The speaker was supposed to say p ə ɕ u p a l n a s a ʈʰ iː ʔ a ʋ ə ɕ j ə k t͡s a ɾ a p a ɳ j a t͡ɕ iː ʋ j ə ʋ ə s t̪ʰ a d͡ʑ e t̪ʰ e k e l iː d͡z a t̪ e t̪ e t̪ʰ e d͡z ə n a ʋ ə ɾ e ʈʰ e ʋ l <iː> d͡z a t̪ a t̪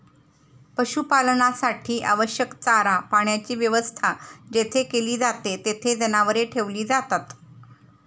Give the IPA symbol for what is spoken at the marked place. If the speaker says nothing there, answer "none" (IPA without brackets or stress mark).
iː